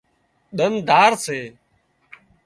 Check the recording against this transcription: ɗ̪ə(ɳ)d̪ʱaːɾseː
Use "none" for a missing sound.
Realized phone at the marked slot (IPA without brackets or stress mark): n